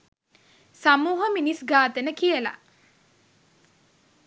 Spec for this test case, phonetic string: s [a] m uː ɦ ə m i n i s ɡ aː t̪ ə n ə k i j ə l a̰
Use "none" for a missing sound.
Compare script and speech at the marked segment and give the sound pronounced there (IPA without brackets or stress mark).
a